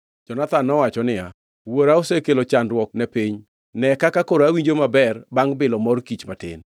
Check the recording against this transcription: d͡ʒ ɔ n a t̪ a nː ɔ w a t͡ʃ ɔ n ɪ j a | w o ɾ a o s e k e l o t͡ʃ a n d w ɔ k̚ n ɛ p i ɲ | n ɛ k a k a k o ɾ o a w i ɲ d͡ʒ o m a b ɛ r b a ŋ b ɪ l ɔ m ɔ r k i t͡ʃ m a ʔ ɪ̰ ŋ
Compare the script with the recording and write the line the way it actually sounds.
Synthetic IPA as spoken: d͡ʒ ɔ n a t̪ a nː ɔ w a t͡ʃ ɔ n ɪ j a | w o ɾ a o s e k e l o t͡ʃ a n d w ɔ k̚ n ɛ p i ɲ | n ɛ k a k a k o ɾ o a w i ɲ d͡ʒ o m a b ɛ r b a ŋ b ɪ l ɔ m ɔ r k i t͡ʃ m a t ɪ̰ n